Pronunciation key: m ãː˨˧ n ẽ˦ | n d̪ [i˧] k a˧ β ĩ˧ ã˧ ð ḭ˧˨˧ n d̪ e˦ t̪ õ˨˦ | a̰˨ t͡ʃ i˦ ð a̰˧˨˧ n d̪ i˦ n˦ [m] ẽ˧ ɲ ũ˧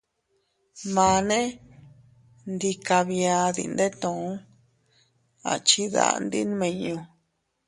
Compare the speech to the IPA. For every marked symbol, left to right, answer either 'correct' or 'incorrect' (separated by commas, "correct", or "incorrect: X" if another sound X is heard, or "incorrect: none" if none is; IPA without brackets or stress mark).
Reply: correct, correct